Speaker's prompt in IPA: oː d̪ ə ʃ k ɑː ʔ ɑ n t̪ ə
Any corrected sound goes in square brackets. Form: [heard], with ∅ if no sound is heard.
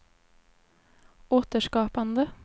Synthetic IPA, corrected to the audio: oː [t̪] ə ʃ k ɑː [p] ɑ n [d̪] ə